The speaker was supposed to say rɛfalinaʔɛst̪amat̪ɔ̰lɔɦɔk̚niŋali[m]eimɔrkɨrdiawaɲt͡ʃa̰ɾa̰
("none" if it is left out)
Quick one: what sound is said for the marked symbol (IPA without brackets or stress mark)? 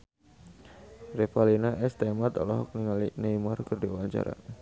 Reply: n